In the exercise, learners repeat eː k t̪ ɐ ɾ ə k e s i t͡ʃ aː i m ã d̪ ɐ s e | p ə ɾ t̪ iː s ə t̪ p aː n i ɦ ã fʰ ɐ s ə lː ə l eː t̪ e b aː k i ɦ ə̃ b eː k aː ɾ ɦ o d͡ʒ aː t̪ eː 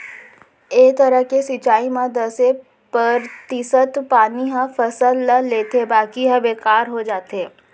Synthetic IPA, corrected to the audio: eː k t̪ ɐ ɾ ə k e s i t͡ʃ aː i m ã d̪ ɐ s e | p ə ɾ t̪ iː s ə t̪ p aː n i ɦ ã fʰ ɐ s ə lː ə l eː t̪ e b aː k i ɦ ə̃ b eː k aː ɾ ɦ o d͡ʒ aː t̪ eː